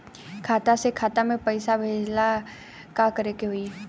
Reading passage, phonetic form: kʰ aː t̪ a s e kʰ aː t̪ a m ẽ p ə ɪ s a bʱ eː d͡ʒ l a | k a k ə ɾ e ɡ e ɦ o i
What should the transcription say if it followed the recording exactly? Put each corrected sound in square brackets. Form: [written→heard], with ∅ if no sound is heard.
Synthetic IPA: kʰ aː t̪ a s e kʰ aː t̪ a m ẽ p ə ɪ s a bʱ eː d͡ʒ l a | k a k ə ɾ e [ɡ→k] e ɦ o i